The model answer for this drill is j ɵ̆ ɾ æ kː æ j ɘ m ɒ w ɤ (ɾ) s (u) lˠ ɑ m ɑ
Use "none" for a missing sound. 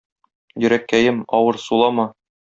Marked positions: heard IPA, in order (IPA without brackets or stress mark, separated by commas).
ɾ, u